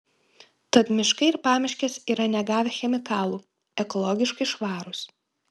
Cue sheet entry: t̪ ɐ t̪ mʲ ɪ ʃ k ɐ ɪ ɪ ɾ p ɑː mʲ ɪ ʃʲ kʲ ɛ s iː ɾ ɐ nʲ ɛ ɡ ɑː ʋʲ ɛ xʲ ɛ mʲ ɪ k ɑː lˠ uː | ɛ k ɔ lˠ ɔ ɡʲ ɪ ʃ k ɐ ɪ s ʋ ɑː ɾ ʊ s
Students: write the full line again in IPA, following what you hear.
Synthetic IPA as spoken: t̪ ɐ t̪ mʲ ɪ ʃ k ɐ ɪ ɪ ɾ p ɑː mʲ ɪ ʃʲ kʲ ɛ s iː ɾ ɐ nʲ ɛ ɡ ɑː ʋʲ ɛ xʲ ɛ mʲ ɪ k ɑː lˠ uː | ɛ k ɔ lˠ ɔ ɡʲ ɪ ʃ k ɐ ɪ ʃ ʋ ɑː ɾ ʊ s